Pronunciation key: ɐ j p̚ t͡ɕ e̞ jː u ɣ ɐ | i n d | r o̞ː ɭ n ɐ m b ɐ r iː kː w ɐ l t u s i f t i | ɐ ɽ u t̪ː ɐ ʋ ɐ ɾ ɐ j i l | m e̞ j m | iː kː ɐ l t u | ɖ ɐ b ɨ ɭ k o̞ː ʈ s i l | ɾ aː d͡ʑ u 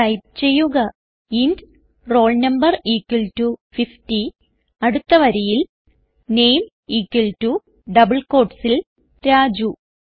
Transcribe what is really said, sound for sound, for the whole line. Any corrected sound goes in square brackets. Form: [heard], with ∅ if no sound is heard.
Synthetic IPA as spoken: ɐ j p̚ t͡ɕ e̞ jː u ɣ ɐ | i n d | r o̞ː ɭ n ɐ m b ɐ r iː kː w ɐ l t u [f] i f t i | ɐ ɽ u t̪ː ɐ ʋ ɐ ɾ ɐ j i l | [n] e̞ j m | iː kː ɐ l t u | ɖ ɐ b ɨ ɭ k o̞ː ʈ s i l | ɾ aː d͡ʑ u